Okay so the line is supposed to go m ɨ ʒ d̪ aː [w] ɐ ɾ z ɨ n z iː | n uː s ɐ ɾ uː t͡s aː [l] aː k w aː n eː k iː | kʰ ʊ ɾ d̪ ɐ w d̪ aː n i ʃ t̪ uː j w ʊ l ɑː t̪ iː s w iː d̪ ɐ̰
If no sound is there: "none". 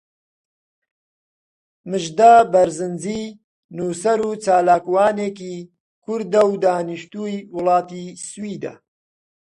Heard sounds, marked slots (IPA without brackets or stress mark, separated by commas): b, l